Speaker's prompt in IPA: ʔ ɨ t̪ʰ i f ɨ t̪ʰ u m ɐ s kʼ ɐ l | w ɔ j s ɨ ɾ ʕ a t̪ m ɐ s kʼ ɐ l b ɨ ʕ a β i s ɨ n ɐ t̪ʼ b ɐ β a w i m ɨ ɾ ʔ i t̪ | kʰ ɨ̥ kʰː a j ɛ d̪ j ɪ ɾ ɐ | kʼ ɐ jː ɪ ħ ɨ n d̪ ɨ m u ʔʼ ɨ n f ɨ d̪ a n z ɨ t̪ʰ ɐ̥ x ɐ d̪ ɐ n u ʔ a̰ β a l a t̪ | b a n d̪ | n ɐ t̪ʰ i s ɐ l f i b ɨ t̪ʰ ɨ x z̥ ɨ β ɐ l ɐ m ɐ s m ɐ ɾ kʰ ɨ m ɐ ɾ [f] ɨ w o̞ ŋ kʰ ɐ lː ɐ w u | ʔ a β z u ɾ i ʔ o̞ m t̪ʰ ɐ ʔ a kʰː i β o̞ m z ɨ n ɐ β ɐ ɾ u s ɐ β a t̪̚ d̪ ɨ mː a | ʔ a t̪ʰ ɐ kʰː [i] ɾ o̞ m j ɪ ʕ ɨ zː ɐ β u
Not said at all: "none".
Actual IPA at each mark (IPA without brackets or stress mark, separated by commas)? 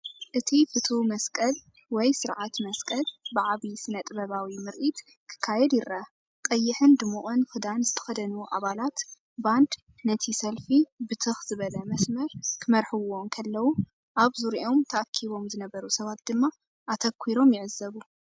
ħ, i